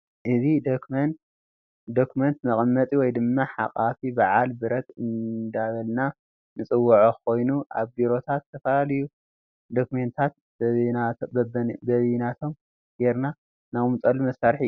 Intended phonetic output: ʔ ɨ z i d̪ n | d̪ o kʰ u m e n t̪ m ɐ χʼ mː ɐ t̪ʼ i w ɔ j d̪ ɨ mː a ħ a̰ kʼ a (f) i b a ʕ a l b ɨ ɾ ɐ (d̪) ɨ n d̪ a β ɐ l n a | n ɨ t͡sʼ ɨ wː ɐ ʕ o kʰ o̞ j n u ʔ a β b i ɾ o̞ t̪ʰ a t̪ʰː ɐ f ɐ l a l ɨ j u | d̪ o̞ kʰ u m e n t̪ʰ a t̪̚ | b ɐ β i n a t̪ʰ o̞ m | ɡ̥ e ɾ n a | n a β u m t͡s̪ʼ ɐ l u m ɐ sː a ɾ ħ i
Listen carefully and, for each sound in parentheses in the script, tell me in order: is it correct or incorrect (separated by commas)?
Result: correct, incorrect